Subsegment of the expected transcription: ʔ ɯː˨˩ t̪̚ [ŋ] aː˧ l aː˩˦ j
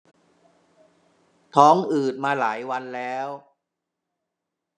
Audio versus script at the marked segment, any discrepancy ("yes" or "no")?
yes